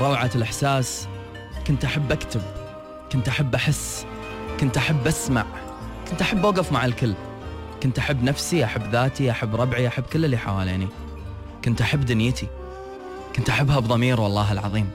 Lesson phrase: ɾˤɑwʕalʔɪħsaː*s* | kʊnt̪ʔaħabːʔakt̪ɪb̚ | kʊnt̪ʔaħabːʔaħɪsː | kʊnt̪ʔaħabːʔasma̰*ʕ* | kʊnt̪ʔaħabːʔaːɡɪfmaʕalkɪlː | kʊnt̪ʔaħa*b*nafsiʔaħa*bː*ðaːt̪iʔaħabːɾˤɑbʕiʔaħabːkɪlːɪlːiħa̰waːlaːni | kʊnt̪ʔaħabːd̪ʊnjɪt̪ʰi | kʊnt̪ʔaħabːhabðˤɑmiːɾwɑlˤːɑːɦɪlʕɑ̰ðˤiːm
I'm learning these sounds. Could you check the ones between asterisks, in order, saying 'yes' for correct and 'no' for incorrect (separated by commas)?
yes, yes, no, yes